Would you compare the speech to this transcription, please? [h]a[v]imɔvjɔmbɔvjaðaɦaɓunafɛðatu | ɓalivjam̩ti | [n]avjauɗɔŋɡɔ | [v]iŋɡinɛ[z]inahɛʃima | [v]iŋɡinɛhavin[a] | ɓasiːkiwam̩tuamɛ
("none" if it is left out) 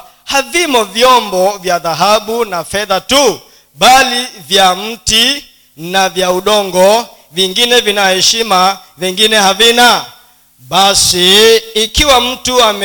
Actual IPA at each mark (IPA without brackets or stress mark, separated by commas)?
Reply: h, v, n, v, v, v, a